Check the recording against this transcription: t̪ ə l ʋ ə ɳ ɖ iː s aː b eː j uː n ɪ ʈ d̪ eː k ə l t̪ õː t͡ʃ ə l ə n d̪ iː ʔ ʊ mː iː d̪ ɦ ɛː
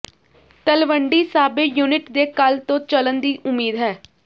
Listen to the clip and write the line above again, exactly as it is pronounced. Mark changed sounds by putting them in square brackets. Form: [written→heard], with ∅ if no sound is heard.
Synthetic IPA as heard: t̪ ə l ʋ ə ɳ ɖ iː s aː b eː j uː n ɪ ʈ d̪ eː k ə l t̪ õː t͡ʃ ə l ə n d̪ iː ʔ ʊ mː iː d̪ ɦ ɛː